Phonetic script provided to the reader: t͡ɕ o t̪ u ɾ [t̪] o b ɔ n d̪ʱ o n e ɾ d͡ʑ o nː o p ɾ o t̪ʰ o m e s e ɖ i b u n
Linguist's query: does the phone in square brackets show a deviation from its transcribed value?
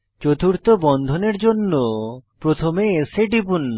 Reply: no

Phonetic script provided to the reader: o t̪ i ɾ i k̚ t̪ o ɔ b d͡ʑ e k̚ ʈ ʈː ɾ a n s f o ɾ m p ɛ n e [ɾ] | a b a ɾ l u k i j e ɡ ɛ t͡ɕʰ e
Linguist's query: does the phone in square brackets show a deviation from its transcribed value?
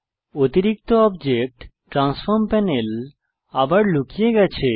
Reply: yes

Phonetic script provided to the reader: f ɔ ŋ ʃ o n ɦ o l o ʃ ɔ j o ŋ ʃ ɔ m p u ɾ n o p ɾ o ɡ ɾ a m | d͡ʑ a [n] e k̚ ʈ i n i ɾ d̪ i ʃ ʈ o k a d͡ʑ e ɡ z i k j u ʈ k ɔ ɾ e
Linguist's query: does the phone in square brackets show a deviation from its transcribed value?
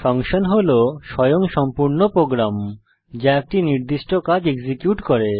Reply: yes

